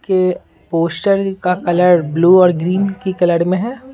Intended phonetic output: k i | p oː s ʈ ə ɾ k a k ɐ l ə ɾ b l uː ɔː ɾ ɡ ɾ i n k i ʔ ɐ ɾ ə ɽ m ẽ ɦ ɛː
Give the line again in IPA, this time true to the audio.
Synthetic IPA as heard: k e | p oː s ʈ ə ɾ k a k ɐ l ə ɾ b l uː ɔː ɾ ɡ ɾ iː n k i k ɐ l ə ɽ m ẽ ɦ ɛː